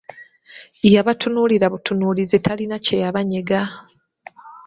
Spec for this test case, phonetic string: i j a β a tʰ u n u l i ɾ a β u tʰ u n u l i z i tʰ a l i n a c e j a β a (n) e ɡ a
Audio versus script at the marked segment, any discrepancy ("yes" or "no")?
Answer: yes